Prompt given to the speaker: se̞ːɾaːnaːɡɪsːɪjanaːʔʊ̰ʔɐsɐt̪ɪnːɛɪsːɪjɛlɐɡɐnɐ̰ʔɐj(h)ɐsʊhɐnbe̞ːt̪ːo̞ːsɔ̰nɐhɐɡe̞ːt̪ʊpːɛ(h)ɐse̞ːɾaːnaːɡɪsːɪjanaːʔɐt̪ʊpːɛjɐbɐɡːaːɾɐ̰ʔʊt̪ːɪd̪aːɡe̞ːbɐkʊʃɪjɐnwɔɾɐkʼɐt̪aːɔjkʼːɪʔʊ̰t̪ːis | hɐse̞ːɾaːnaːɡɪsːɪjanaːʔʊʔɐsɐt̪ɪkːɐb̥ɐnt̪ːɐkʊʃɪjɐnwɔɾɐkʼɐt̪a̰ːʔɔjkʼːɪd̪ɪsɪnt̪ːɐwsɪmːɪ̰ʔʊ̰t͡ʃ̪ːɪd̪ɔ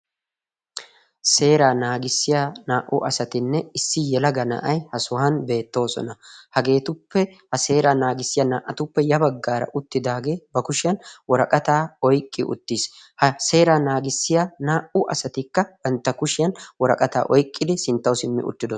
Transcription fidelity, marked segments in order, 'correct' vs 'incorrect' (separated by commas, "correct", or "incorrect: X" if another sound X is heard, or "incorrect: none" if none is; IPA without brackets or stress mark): correct, correct